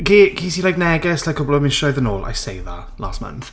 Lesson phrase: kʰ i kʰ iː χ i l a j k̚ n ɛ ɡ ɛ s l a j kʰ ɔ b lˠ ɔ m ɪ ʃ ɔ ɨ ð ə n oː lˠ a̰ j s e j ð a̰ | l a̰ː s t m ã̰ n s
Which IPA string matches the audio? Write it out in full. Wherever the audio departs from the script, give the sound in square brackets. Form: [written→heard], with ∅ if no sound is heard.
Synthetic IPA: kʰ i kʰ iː [χ→s] i l a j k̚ n ɛ ɡ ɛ s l a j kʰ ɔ b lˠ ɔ m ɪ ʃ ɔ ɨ ð ə n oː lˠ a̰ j s e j ð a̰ | l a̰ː s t m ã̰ n [s→θ]